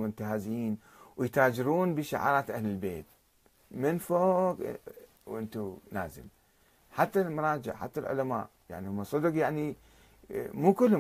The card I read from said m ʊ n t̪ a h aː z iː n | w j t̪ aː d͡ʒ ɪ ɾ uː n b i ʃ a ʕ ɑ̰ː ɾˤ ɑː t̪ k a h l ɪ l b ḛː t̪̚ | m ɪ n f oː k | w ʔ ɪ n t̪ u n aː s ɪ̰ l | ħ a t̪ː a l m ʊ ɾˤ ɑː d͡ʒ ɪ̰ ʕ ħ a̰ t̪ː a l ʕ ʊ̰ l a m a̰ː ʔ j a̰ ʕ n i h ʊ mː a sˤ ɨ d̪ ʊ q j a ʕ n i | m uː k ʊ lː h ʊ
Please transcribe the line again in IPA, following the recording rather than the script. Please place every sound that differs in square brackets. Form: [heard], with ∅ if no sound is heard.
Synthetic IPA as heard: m ʊ n t̪ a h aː z iː n | w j t̪ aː d͡ʒ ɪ ɾ uː n b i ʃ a ʕ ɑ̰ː ɾˤ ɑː t̪ [ʔ] a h l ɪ l b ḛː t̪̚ | m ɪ n f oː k | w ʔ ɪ n t̪ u n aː [z] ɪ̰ l | ħ a t̪ː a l m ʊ ɾˤ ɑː d͡ʒ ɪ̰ ʕ ħ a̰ t̪ː a l ʕ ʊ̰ l a m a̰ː ʔ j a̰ ʕ n i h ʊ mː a sˤ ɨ d̪ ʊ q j a ʕ n i | m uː k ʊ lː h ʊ